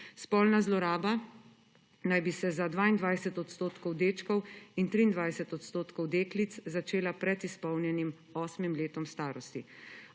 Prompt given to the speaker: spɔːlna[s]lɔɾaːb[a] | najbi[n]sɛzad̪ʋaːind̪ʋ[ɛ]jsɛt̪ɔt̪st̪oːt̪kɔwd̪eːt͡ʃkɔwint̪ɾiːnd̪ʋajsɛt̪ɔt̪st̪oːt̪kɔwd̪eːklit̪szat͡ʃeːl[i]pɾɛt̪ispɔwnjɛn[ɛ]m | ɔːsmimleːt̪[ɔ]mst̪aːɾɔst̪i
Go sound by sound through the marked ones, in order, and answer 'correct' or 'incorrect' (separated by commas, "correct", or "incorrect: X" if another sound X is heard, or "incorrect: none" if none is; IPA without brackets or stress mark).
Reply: incorrect: z, correct, incorrect: none, incorrect: a, incorrect: a, incorrect: i, correct